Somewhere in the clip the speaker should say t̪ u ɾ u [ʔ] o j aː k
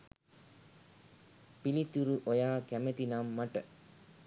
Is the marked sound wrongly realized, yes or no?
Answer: no